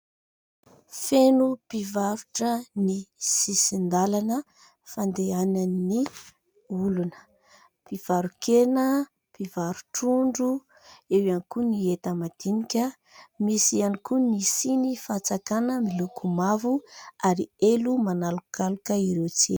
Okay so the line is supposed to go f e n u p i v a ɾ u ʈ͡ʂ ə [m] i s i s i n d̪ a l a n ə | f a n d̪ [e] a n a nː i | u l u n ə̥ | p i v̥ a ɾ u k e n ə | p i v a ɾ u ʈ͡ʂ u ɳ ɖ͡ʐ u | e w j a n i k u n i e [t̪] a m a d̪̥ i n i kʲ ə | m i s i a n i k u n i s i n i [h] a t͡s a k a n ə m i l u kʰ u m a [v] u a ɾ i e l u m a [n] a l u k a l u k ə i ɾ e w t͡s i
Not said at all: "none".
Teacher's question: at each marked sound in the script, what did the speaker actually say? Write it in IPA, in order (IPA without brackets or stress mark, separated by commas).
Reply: n, e, t̪, f, v, n